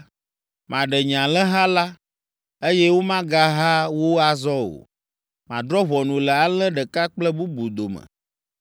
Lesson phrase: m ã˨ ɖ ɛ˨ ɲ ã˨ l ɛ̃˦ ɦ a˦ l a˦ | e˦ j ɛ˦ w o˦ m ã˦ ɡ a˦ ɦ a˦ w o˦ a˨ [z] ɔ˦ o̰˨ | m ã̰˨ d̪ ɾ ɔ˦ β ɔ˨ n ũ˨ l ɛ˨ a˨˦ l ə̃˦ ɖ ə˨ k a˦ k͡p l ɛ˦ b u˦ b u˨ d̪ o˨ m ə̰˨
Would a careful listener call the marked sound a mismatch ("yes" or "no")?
no